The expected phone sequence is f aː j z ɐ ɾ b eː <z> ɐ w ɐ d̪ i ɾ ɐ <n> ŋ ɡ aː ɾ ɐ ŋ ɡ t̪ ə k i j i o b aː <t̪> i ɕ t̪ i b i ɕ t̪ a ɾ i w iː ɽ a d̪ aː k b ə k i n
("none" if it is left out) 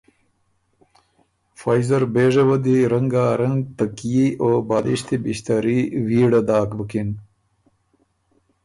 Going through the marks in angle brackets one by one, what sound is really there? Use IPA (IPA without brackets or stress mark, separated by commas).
ʐ, none, d̪